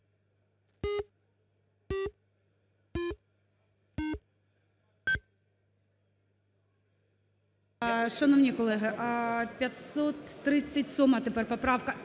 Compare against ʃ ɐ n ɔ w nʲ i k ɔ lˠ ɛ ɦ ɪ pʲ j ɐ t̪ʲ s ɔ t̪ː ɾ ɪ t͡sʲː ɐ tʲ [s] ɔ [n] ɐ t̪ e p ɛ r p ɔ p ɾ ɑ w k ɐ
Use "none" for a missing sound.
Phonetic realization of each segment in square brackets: s, m

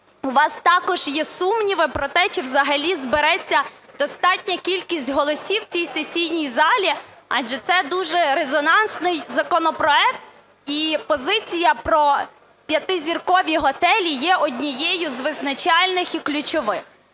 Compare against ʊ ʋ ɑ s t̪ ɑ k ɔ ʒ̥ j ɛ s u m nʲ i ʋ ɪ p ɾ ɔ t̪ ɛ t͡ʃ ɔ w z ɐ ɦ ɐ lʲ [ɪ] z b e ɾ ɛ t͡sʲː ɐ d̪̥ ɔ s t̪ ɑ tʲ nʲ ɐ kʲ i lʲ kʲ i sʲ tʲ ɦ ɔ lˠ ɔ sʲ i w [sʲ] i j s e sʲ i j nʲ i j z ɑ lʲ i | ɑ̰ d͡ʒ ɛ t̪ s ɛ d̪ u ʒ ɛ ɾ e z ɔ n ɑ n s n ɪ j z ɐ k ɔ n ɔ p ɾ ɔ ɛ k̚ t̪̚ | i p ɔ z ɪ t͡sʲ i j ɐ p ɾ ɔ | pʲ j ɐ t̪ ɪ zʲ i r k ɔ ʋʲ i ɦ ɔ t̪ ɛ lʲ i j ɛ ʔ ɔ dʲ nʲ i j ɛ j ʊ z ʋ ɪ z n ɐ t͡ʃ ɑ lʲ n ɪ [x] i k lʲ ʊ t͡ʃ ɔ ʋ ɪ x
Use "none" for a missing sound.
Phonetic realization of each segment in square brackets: i, t͡sʲ, x

